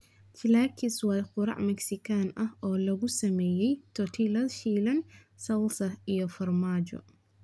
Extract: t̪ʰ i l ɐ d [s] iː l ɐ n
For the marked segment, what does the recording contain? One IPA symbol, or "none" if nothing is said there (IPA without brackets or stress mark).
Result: ʃ